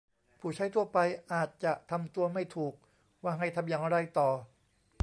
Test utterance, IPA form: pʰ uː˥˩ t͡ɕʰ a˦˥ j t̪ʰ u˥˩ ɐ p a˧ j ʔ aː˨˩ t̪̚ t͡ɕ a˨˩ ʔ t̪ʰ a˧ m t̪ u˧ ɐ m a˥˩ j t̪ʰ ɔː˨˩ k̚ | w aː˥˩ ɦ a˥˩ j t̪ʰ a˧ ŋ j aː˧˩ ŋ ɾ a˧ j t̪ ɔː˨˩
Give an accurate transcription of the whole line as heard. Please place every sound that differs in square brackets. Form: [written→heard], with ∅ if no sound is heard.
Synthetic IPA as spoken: pʰ [uː˥˩→uː˨˩] t͡ɕʰ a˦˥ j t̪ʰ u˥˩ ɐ p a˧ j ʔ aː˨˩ t̪̚ t͡ɕ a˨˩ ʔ t̪ʰ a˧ m t̪ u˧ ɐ m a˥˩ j t̪ʰ [ɔː˨˩→uː˨˩] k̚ | w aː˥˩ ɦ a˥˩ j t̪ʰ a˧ [ŋ→m] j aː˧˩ ŋ ɾ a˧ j t̪ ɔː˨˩